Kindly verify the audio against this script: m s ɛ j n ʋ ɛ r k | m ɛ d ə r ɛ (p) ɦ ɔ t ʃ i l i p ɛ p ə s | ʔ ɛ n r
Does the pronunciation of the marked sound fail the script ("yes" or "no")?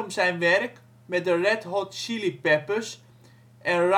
yes